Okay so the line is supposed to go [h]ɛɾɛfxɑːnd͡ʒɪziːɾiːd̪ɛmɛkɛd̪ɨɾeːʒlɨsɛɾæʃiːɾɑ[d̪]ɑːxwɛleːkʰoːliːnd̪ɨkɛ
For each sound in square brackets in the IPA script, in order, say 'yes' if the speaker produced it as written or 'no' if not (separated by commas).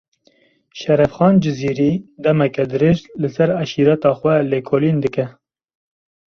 no, no